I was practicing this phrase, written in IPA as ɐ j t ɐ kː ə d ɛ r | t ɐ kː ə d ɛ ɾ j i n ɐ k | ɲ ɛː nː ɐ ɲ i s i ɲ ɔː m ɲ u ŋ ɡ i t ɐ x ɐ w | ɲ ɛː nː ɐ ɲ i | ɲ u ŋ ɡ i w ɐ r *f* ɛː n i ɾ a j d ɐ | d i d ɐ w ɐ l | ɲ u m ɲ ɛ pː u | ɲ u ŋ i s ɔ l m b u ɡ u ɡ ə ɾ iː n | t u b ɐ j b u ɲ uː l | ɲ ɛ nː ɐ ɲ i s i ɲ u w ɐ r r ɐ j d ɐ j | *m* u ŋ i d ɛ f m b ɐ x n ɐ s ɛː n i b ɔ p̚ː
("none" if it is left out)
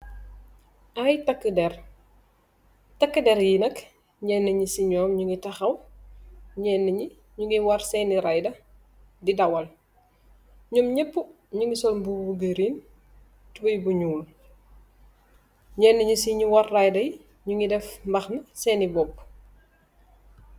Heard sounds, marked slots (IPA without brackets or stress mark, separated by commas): s, ɲ